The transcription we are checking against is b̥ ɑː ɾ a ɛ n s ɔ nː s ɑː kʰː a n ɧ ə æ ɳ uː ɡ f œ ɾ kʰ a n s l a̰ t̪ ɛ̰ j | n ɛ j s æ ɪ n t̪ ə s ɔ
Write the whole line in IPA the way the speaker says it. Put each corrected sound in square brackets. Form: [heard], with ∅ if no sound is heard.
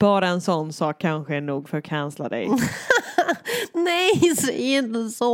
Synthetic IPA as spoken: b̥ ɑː ɾ a ɛ n s ɔ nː s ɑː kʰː a n ɧ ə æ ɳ uː ɡ f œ ɾ kʰ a n s l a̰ [d̪] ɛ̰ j | n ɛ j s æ ɪ n t̪ ə s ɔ